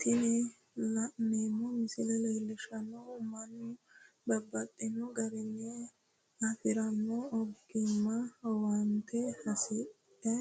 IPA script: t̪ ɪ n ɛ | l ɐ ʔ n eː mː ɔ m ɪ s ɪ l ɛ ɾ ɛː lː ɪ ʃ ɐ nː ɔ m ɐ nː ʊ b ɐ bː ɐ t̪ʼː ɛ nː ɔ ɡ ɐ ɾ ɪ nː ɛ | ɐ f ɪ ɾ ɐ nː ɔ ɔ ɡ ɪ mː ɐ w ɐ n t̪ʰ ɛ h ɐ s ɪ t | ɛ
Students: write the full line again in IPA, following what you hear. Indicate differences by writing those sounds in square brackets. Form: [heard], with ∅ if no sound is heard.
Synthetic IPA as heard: t̪ ɪ n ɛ | l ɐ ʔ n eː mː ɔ m ɪ s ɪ l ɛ [l] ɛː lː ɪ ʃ ɐ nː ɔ m ɐ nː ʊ b ɐ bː ɐ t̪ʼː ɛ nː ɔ ɡ ɐ ɾ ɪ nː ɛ | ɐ f ɪ ɾ ɐ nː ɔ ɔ ɡ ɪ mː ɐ w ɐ n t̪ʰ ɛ h ɐ s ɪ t | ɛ